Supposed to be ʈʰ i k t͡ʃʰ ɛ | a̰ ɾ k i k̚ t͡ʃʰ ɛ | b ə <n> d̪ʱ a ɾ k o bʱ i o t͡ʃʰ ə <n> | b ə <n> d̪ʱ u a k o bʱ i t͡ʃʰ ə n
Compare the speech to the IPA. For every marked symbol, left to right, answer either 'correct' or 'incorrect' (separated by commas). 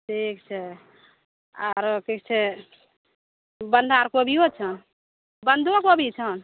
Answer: correct, correct, correct